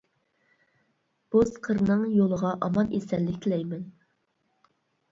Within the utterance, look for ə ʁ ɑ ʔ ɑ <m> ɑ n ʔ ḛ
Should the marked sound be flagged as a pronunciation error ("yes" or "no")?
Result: no